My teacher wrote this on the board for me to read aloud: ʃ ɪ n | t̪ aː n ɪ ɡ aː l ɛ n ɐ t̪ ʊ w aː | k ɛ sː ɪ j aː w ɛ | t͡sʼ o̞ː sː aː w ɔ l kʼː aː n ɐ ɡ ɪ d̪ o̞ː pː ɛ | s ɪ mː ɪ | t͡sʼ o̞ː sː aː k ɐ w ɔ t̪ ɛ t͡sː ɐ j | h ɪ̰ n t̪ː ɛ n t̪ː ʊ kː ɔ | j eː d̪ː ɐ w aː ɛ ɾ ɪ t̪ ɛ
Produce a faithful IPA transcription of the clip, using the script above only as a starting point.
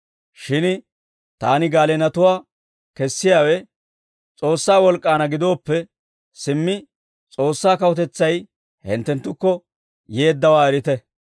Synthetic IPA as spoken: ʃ ɪ n | t̪ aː n ɪ ɡ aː l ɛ n ɐ t̪ ʊ w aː | k ɛ sː ɪ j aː w ɛ | t͡sʼ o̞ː sː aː w ɔ l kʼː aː n ɐ ɡ ɪ d̪ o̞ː pː ɛ | s ɪ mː ɪ | t͡sʼ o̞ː sː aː k ɐ w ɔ t̪ ɛ t͡sː ɐ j | h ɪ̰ n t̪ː ɛ n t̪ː ʊ kː ɔ | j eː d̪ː ɐ w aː ɛ ɾ ɪ t̪ ɛ